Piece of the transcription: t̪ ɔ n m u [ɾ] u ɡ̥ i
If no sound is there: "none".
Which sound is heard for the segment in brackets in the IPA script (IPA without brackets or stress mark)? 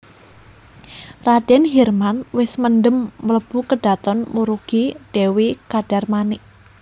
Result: ɾ